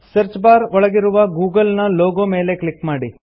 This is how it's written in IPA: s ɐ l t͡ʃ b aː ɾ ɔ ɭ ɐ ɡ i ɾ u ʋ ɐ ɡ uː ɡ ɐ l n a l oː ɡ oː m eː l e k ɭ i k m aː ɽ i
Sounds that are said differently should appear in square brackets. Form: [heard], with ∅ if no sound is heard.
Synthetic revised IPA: s ɐ [ɾ] t͡ʃ b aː ɾ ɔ ɭ ɐ ɡ i ɾ u ʋ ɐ ɡ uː ɡ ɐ l n [ɐ] l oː ɡ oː m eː l e k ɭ i k m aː ɽ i